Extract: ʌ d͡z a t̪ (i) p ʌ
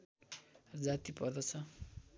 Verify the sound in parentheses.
correct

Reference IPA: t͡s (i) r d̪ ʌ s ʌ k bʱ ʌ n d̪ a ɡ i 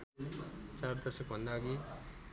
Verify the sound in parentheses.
incorrect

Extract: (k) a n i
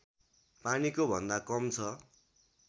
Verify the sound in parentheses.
incorrect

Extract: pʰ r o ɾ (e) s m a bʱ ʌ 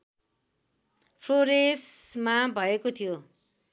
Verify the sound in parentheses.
correct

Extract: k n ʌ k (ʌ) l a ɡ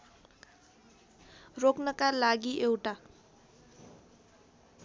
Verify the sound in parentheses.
incorrect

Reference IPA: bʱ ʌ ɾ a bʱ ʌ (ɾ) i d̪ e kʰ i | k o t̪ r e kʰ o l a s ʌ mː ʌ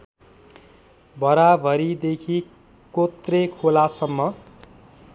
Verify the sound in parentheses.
correct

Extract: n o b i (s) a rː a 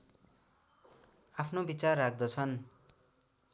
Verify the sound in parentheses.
incorrect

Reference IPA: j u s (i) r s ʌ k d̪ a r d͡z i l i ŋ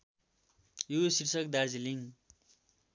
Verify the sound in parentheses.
correct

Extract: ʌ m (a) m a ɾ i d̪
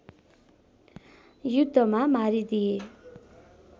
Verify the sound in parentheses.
correct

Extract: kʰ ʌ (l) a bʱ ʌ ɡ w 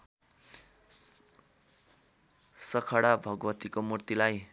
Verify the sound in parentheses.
incorrect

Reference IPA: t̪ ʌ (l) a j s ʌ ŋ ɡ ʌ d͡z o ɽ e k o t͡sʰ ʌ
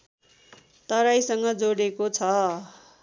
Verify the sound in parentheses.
incorrect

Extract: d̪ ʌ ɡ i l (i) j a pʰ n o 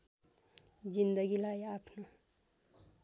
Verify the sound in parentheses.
incorrect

